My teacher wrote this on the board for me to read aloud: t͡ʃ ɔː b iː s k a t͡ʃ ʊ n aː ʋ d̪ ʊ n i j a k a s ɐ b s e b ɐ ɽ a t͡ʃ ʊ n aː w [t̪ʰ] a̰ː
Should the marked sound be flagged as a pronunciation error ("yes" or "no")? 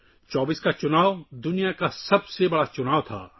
no